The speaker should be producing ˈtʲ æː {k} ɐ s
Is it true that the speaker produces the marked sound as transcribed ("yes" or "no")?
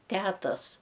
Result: no